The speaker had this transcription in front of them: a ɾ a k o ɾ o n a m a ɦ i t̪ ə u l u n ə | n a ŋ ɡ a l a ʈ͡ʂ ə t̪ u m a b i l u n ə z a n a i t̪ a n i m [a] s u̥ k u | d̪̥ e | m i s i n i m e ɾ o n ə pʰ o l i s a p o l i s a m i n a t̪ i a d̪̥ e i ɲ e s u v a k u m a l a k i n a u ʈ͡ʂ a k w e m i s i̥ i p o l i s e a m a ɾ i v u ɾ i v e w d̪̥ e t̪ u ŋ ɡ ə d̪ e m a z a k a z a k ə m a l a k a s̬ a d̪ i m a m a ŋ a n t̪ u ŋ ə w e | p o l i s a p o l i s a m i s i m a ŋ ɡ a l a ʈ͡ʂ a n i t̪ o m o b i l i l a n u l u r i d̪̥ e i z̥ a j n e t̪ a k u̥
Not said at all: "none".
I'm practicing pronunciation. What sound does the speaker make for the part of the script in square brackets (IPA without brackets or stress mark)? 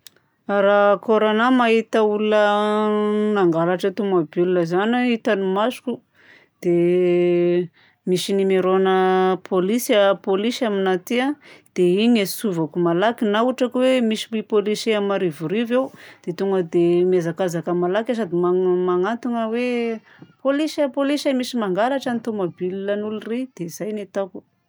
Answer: a